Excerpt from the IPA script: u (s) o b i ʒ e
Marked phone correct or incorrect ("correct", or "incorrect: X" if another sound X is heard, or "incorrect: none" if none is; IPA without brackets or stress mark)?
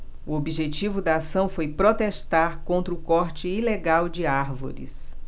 incorrect: none